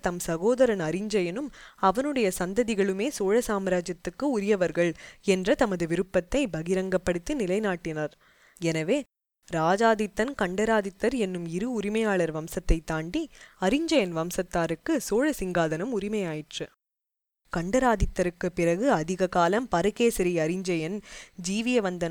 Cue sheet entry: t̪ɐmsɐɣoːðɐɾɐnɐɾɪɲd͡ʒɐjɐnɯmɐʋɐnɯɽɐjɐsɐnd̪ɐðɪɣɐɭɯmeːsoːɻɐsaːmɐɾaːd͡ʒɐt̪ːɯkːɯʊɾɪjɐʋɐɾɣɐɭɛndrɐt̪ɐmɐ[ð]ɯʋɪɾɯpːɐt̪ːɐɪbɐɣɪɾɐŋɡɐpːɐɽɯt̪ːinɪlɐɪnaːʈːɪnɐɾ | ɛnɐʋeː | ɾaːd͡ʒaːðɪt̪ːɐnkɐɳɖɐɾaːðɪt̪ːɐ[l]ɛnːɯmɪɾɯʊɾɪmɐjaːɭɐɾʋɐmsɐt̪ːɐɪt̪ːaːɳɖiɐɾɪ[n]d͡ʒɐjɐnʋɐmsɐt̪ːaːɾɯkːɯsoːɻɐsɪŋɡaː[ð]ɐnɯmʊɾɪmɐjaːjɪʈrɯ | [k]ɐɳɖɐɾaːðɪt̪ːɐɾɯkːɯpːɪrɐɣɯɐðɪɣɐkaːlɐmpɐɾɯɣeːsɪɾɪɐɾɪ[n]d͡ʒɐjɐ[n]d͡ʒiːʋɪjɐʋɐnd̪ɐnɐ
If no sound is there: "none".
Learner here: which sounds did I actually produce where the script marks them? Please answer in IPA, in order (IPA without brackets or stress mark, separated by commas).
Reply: ð, ɾ, ɲ, ð, k, ɲ, n